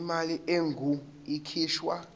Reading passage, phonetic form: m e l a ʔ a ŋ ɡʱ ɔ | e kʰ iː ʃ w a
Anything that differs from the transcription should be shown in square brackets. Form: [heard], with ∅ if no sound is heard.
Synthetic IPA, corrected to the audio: m [a] l [i] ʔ [e] ŋ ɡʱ [u] | [i] kʰ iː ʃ w a